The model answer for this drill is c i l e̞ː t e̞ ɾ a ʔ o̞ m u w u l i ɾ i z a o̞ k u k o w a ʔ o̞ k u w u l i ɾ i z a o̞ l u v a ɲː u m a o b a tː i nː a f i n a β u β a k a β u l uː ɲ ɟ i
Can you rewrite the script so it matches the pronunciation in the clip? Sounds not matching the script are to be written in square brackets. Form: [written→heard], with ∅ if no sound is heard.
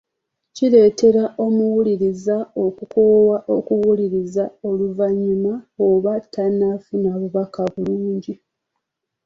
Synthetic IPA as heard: c i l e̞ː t e̞ ɾ a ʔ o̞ m u w u l i ɾ i z a o̞ k u k o w a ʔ o̞ k u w u l i ɾ i z a o̞ l u v a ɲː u m a o [b→β] a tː [i→a] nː a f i n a β u β a k a β u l uː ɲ ɟ i